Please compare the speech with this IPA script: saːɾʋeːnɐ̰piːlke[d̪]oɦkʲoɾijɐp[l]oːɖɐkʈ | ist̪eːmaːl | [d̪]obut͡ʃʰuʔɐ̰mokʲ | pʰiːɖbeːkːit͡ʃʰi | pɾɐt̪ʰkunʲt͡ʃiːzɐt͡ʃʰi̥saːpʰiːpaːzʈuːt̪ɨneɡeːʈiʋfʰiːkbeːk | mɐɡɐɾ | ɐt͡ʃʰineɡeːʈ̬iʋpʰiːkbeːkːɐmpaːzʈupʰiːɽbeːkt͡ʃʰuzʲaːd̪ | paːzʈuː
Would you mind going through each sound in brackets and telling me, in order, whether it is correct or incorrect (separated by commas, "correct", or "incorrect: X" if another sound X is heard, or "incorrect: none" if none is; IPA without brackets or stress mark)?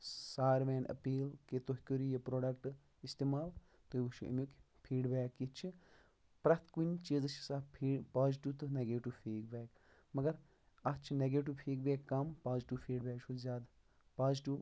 incorrect: t̪, incorrect: ɾ, incorrect: t̪